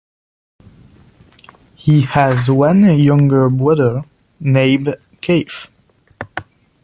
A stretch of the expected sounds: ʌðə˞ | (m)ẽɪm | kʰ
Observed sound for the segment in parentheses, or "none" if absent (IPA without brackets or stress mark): n